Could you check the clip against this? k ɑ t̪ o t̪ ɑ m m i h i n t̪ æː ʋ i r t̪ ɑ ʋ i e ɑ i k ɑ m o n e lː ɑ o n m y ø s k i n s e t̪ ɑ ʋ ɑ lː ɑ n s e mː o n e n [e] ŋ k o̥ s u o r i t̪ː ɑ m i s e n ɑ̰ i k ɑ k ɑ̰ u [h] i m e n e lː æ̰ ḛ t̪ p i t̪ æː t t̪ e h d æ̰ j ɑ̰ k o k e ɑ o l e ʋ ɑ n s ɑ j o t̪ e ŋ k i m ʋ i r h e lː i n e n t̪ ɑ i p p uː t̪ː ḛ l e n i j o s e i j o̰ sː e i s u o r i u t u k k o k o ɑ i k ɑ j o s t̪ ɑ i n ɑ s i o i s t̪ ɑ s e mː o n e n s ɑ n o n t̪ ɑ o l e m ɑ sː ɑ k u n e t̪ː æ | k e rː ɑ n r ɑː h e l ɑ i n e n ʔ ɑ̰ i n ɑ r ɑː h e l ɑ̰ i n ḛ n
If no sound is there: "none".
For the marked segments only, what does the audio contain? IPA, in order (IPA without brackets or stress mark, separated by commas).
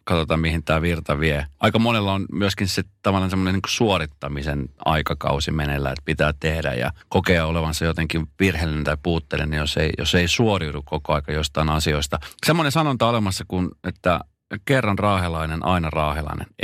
i, s